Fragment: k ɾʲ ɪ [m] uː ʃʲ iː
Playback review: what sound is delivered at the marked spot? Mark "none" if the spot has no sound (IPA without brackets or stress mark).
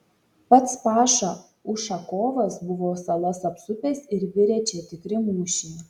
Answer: m